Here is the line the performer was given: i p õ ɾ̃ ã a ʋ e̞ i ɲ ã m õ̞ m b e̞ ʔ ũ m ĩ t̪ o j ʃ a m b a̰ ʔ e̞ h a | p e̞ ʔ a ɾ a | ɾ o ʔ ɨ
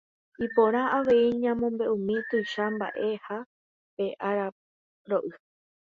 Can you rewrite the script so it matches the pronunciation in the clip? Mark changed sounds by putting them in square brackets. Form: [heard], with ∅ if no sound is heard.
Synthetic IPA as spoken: i p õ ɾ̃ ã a ʋ e̞ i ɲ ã m õ̞ m b e̞ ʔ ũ m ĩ t̪ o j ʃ a m b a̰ ʔ e̞ h a | p e̞ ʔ a ɾ a | ɾ o ʔ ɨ